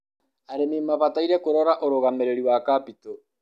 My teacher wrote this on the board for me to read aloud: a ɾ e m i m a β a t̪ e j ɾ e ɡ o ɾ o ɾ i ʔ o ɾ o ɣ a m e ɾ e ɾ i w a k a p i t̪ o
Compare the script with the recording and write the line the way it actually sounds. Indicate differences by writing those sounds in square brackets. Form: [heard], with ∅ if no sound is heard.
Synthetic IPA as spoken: a ɾ e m i m a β a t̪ [a] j ɾ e [k] o ɾ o ɾ [a] ʔ o ɾ o ɣ a m e ɾ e ɾ i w a k a p i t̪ o